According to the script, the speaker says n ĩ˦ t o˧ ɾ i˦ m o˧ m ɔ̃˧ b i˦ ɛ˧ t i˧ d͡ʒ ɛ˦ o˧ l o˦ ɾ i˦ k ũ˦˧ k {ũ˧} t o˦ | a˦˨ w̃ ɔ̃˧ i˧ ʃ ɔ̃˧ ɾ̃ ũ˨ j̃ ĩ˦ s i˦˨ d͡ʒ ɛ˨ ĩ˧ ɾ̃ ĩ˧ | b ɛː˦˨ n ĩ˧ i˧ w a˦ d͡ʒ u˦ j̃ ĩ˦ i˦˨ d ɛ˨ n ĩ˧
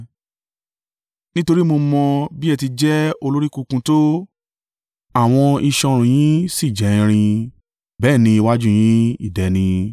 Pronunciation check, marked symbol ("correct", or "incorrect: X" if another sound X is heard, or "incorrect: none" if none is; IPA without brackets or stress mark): correct